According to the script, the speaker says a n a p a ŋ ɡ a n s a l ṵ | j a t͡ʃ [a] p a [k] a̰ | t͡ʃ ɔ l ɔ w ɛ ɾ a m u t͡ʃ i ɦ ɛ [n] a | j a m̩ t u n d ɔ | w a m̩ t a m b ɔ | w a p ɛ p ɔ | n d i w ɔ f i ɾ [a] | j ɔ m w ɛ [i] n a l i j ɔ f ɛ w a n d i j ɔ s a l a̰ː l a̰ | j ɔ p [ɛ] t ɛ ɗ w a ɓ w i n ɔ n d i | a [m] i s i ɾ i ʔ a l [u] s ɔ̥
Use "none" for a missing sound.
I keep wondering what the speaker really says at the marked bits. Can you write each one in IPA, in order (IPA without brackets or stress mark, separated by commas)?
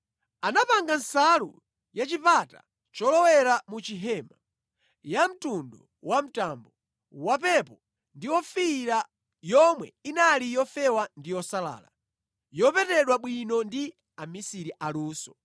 i, t, m, a, i, ɛ, m, uː